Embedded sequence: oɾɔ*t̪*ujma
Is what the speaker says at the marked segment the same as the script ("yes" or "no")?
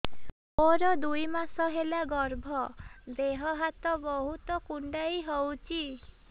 no